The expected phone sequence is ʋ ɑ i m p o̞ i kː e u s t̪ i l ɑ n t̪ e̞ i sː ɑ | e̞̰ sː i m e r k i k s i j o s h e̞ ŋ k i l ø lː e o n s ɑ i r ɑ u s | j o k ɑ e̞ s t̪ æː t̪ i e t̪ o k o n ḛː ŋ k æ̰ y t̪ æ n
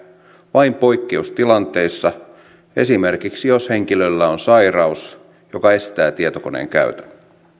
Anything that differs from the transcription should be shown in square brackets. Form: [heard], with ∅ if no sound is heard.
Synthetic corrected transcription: ʋ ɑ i m p o̞ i kː e u s t̪ i l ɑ n t̪ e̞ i sː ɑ | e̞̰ [s] i m e r k i k s i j o s h e̞ ŋ k i l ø lː [æ] o n s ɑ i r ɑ u s | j o k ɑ e̞ s t̪ æː t̪ i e t̪ o k o n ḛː ŋ k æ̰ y t̪ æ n